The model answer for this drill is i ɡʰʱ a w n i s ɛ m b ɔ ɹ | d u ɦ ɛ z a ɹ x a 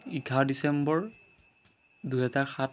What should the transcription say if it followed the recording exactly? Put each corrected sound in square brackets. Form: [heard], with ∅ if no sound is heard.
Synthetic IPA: i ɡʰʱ a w [d] i s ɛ m b ɔ ɹ | d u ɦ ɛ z a ɹ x a